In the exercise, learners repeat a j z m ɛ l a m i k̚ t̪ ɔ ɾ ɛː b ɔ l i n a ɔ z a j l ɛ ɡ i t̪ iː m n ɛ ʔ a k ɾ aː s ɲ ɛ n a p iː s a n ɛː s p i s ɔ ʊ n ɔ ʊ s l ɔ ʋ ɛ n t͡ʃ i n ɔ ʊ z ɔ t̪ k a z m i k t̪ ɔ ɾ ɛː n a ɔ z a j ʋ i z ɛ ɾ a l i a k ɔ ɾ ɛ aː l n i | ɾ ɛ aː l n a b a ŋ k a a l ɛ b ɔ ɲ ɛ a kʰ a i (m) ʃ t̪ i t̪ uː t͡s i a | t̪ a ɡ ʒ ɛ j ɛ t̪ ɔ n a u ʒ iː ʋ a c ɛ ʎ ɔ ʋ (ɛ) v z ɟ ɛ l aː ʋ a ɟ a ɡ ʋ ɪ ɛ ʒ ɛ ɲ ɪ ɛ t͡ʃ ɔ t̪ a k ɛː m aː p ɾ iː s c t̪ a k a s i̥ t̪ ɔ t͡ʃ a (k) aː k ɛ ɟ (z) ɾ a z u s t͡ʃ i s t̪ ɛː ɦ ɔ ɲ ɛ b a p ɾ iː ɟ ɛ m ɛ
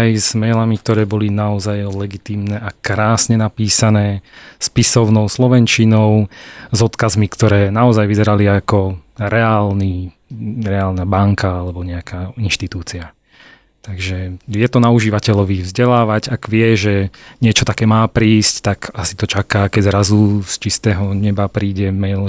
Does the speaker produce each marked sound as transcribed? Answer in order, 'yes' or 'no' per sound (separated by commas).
no, no, yes, yes